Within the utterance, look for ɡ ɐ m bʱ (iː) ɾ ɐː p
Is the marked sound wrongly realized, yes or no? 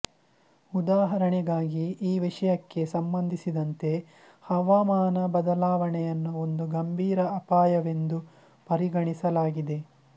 no